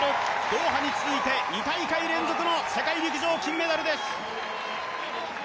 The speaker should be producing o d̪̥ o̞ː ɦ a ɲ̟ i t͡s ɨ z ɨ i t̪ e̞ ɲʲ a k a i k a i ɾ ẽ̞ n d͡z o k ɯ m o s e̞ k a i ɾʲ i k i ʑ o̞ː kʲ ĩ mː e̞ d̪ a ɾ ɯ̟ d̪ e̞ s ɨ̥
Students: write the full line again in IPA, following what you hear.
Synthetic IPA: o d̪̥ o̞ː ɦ a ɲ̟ i t͡s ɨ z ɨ i t̪ e̞ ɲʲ i k a i k a i ɾ ẽ̞ n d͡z o k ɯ n o s e̞ k a i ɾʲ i k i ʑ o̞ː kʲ ĩ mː e̞ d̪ a ɾ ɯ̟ d̪ e̞ s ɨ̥